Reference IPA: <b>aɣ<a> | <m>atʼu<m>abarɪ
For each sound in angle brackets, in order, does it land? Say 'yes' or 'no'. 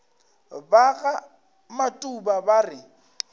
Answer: yes, yes, yes, no

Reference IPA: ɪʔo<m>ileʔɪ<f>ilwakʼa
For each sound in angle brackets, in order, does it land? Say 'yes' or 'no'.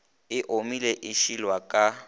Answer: yes, no

